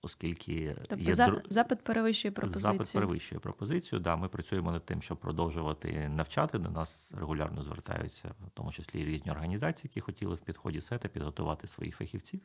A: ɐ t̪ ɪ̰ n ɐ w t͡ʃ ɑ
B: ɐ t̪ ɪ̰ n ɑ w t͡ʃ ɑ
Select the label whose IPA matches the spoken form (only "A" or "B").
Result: A